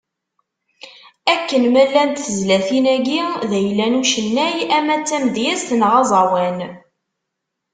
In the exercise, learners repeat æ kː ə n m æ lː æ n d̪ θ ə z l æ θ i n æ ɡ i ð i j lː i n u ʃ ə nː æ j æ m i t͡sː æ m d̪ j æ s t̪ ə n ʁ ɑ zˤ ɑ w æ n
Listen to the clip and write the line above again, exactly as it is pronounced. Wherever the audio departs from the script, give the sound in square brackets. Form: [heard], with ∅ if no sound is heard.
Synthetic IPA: æ kː ə n m æ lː æ n [t̪] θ ə z l æ θ i n æ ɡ i ð [æ] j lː [æ] n u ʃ ə nː æ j æ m [æ] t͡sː æ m d̪ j æ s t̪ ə n ʁ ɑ zˤ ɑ w æ n